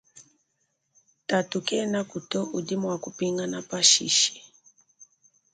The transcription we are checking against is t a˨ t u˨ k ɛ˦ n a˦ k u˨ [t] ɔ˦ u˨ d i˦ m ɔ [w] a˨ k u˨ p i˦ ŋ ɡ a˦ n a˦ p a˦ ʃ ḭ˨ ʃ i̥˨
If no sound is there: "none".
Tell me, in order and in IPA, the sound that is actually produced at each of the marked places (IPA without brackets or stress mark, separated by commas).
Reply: t, w